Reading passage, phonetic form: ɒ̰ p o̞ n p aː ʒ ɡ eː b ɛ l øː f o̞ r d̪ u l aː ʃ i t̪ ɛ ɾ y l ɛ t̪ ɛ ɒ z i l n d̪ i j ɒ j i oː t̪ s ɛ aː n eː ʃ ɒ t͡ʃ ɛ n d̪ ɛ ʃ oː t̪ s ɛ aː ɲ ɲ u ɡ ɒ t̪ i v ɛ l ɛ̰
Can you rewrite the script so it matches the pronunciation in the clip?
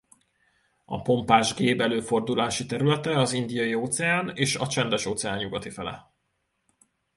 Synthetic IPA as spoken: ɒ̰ p o̞ m p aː ʒ ɡ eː b ɛ l øː f o̞ r d̪ u l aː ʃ i t̪ ɛ ɾ y l ɛ t̪ ɛ ɒ z i n d̪ i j ɒ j i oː t̪ s ɛ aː n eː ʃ ɒ t͡ʃ ɛ n d̪ ɛ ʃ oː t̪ s ɛ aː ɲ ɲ u ɡ ɒ t̪ i f ɛ l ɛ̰